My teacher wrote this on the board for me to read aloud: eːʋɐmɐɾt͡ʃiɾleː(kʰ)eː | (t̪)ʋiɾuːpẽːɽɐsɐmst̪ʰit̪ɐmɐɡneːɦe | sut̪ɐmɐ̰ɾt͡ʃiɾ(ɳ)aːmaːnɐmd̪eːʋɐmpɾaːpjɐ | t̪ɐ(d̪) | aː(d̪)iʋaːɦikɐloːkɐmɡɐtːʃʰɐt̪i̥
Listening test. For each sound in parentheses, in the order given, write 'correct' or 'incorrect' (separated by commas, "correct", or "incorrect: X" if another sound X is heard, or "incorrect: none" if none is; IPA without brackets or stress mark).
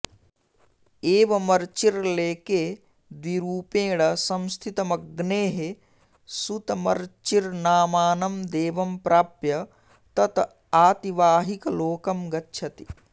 incorrect: k, incorrect: d̪, incorrect: n, incorrect: t̪, incorrect: t̪